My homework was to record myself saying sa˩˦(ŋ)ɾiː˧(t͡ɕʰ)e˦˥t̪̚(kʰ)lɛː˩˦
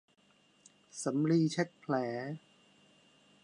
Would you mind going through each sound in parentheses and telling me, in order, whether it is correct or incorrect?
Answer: incorrect, correct, incorrect

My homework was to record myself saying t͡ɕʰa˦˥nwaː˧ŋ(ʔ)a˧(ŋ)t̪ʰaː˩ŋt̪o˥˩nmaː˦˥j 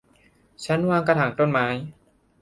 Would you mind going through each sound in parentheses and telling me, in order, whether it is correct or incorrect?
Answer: incorrect, incorrect

